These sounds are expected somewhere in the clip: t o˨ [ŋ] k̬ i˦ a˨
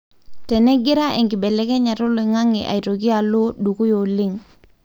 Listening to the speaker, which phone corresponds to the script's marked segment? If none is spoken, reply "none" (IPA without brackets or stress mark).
none